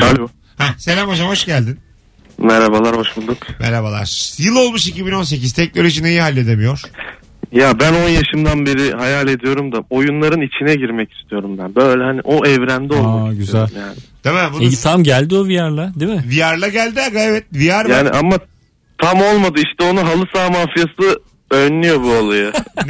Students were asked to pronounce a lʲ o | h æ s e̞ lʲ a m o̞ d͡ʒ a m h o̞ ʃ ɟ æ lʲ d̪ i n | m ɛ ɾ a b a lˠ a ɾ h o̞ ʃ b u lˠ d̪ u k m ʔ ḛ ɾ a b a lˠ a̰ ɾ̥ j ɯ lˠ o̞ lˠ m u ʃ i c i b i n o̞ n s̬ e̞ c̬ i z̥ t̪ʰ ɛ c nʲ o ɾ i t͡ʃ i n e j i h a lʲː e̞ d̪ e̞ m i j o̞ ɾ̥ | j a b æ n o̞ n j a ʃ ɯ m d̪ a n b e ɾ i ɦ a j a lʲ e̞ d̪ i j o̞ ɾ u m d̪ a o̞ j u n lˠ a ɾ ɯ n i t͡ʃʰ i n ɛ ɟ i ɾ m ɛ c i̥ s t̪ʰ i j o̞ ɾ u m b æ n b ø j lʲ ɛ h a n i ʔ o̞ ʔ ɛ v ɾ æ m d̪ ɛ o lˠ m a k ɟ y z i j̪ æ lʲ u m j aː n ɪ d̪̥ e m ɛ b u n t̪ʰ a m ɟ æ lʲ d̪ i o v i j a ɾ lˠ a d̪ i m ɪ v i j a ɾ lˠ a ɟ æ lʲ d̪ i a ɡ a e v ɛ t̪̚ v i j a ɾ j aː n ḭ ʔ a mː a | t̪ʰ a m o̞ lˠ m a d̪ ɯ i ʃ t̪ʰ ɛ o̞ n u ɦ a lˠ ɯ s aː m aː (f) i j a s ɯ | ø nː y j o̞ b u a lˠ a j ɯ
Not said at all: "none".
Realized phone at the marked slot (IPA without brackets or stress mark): f